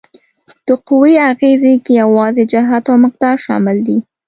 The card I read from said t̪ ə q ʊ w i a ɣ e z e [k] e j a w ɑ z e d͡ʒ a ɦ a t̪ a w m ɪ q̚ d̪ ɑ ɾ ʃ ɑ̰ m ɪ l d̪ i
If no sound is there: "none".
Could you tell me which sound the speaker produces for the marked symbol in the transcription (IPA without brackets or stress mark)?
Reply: k